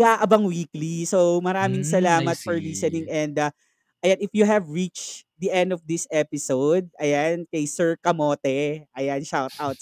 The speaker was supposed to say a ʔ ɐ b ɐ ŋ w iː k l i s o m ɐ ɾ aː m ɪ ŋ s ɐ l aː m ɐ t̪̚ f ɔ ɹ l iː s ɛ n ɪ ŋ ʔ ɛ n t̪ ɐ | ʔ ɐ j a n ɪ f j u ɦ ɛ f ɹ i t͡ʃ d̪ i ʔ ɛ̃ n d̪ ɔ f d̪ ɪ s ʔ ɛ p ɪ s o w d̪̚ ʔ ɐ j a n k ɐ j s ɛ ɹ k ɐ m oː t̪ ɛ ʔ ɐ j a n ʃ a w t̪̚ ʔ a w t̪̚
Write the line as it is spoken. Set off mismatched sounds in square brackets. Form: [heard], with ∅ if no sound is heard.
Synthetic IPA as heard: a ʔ ɐ b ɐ ŋ w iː k l i s o m ɐ ɾ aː m ɪ ŋ s ɐ l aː m ɐ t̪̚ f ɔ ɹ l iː s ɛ n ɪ ŋ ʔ ɛ n [d̪] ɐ | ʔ ɐ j a n ɪ f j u ɦ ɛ [v] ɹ i t͡ʃ d̪ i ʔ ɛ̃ n d̪ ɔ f d̪ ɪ s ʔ ɛ p ɪ s o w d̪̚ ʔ ɐ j a n k ɐ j s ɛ ɹ k ɐ m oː t̪ ɛ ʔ ɐ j a n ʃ a w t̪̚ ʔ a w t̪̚